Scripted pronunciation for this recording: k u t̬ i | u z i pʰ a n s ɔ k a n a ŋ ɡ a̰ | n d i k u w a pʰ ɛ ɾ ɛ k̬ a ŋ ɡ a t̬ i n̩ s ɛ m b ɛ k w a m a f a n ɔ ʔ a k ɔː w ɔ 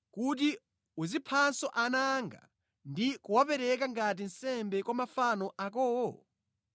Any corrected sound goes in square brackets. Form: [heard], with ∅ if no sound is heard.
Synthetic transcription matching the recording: k u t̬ i | u z i pʰ a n s ɔ [ʔ] a n a ŋ ɡ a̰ | n d i k u w a [p] ɛ ɾ ɛ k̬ a ŋ ɡ a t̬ i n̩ s ɛ m b ɛ k w a m a f a n ɔ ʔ a k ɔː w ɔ